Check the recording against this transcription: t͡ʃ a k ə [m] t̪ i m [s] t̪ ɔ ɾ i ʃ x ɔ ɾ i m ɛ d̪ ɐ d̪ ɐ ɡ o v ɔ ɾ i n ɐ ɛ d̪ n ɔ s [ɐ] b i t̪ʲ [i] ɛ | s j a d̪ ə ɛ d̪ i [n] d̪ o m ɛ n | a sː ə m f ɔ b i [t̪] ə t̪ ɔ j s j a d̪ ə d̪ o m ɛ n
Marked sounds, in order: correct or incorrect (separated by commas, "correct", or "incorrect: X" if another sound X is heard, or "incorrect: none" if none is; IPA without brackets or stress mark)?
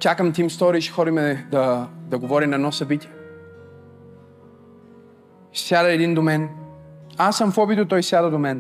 correct, correct, correct, correct, correct, correct